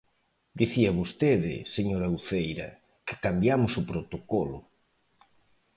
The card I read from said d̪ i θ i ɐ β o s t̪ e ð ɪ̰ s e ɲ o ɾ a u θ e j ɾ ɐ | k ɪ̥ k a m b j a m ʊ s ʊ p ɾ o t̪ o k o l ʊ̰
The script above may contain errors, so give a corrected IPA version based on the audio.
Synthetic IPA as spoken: d̪ i θ i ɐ β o s t̪ e ð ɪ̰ s e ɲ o ɾ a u θ e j ɾ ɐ | k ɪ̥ k a m b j a m ʊ s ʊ p ɾ o t̪ o k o l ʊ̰

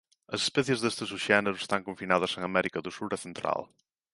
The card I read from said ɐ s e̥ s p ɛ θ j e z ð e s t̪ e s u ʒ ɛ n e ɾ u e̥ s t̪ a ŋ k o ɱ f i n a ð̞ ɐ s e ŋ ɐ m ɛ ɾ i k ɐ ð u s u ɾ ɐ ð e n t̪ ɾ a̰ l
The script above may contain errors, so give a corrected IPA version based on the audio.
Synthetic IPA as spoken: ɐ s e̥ s p ɛ θ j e z ð e s t̪ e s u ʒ ɛ n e ɾ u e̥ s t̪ a ŋ k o ɱ f i n a ð̞ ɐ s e ŋ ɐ m ɛ ɾ i k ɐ ð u s u ɾ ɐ θ e n t̪ ɾ a̰ l

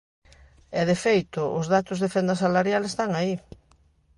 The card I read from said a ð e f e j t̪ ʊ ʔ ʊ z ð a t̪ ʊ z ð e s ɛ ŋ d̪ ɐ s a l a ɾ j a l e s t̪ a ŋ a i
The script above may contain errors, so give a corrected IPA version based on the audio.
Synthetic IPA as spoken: ɛ ð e f e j t̪ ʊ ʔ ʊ z ð a t̪ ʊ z ð e f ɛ n d̪ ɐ s a l a ɾ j a l e s t̪ a ŋ a i

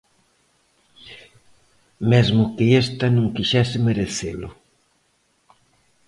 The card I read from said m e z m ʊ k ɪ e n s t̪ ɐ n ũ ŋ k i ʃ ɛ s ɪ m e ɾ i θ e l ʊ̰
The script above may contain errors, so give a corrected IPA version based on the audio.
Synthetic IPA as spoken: m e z m ʊ k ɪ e s t̪ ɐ n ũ ŋ k i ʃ ɛ s ɪ m e ɾ e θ e l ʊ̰

